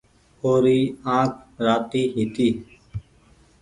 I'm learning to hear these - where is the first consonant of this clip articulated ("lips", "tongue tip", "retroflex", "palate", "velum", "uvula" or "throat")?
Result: tongue tip